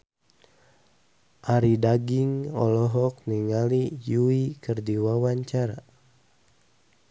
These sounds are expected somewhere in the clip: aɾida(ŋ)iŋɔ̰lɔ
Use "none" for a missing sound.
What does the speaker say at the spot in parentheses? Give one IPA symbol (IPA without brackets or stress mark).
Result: ɡ